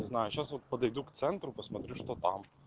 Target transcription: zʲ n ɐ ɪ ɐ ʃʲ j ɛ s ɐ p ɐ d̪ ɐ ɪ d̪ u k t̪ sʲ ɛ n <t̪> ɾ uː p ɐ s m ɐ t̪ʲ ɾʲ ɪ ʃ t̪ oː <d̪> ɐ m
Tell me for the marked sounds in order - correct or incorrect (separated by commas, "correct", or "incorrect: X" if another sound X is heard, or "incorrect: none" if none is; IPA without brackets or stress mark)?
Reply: correct, incorrect: t̪